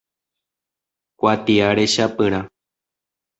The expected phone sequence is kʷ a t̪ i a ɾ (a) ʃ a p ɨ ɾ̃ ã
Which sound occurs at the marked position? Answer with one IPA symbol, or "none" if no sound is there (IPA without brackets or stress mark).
e